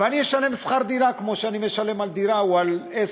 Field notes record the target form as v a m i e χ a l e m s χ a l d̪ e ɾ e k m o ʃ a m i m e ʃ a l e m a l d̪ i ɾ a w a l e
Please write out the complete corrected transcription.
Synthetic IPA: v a n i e ʃ a l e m s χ a ɾ d̪ i ɾ a k m o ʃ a n i m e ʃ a l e m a l d̪ i ɾ a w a l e